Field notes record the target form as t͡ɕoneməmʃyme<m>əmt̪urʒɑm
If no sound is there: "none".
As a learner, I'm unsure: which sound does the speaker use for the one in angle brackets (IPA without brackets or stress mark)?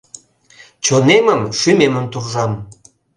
m